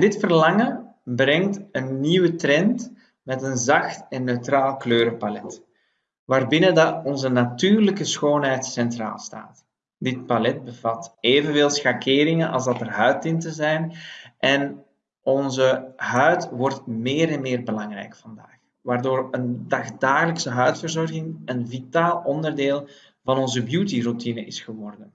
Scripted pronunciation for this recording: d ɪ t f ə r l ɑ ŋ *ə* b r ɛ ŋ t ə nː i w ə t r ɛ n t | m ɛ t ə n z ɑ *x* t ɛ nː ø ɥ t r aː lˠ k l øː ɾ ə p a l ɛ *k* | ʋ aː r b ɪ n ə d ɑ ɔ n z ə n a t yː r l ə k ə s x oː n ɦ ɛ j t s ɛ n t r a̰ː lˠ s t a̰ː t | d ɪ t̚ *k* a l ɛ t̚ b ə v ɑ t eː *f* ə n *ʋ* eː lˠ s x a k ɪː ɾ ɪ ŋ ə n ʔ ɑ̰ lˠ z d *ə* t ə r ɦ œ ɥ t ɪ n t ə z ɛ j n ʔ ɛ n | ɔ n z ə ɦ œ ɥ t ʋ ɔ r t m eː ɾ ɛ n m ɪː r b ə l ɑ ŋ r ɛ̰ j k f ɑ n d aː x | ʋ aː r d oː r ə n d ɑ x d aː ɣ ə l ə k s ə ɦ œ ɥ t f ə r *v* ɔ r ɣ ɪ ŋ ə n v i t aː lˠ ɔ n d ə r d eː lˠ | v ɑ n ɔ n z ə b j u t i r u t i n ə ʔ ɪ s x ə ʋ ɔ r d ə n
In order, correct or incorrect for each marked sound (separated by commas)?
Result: correct, correct, incorrect, incorrect, incorrect, incorrect, incorrect, incorrect